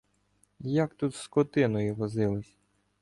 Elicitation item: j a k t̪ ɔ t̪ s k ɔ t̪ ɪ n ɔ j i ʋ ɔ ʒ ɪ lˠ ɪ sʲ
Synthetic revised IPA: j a k t̪ u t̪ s k ɔ t̪ ɪ n ɔ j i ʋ ɔ z ɪ lˠ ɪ sʲ